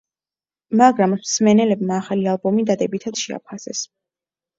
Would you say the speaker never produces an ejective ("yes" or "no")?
yes